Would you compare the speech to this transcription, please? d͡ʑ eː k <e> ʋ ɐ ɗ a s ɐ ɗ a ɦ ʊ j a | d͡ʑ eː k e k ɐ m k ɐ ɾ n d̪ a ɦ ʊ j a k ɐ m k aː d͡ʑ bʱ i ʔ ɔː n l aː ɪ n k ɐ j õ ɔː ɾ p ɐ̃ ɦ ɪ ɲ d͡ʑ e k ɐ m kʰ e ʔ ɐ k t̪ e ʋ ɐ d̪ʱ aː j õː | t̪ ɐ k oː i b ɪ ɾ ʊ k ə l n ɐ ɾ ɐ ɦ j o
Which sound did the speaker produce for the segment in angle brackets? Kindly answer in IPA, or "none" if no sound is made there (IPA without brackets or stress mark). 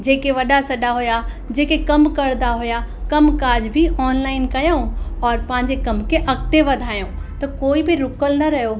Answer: e